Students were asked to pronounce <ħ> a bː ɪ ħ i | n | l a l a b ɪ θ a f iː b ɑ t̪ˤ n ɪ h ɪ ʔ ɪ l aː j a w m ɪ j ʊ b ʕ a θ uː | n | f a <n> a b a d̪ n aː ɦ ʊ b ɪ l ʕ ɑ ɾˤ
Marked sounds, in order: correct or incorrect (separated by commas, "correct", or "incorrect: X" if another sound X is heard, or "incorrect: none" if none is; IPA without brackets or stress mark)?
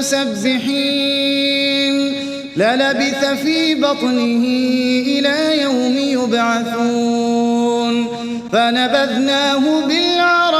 incorrect: s, correct